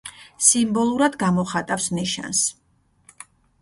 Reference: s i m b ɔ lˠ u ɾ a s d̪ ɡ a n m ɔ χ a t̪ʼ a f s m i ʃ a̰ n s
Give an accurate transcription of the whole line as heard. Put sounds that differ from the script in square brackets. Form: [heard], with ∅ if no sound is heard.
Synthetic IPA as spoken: s i m b ɔ lˠ u ɾ a [∅] d̪ ɡ a [∅] m ɔ χ a t̪ʼ a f s [n] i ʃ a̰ n s